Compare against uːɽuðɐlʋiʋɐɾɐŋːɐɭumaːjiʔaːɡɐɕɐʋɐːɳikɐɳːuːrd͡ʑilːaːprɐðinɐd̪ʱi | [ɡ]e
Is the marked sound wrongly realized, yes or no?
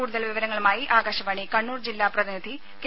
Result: yes